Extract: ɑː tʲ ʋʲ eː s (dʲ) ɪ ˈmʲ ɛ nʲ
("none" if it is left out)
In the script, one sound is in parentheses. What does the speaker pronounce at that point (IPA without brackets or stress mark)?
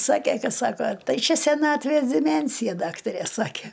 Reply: dʲ